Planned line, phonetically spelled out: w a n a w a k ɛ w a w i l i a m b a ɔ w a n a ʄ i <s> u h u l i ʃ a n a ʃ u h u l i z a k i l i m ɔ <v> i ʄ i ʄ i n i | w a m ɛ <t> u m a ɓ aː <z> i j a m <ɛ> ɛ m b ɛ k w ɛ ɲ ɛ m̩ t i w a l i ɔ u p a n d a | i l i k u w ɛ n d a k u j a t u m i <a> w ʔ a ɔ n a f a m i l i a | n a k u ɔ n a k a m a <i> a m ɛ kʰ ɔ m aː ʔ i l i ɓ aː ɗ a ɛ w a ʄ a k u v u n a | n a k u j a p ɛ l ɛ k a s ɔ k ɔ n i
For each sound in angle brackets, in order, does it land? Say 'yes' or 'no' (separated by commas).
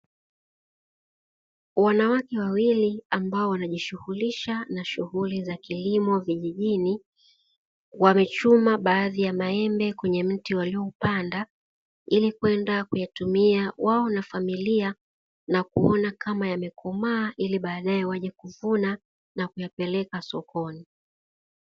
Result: no, yes, no, no, no, yes, no